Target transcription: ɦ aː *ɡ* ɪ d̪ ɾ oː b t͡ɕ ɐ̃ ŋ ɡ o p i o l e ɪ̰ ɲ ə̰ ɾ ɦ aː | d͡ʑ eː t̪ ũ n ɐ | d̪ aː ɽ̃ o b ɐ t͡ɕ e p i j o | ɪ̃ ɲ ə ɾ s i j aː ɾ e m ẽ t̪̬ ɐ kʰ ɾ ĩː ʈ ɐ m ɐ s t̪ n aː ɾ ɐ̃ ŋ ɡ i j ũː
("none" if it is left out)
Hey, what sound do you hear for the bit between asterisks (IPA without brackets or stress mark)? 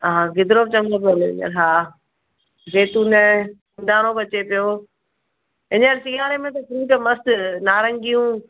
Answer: ɡ